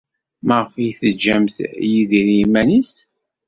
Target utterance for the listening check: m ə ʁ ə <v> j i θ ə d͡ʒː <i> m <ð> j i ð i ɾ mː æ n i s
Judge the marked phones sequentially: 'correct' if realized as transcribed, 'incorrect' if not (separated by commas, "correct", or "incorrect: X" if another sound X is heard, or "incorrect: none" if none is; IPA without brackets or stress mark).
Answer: incorrect: f, incorrect: æ, incorrect: θ